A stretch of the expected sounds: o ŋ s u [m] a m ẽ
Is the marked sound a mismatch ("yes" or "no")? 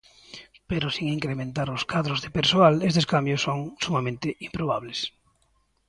no